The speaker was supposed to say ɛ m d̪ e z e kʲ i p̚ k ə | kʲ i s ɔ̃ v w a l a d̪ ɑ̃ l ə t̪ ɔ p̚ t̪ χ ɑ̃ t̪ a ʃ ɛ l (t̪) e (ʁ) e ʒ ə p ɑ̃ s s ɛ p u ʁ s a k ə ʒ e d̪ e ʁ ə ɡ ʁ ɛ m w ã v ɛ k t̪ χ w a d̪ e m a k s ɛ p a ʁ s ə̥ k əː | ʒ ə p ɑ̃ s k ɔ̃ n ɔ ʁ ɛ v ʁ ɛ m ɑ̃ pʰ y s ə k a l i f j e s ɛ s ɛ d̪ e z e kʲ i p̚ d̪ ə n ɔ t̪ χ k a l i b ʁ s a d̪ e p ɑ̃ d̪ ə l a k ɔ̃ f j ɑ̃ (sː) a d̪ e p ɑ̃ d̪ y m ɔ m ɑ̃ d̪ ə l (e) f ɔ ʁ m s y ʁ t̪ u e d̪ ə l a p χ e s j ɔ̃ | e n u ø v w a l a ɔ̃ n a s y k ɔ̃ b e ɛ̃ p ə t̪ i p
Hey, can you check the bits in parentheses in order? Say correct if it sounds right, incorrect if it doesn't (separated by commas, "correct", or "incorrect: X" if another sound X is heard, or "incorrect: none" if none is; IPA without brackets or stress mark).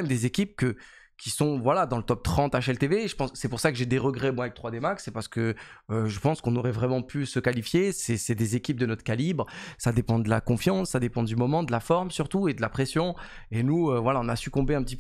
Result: correct, incorrect: v, correct, incorrect: a